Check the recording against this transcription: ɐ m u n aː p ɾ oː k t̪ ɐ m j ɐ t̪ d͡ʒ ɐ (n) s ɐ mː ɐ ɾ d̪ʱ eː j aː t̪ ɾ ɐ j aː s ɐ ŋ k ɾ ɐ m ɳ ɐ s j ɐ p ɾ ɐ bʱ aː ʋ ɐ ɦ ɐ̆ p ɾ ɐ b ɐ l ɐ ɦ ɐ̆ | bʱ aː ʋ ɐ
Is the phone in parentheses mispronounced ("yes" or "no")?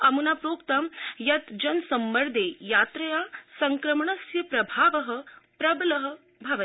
no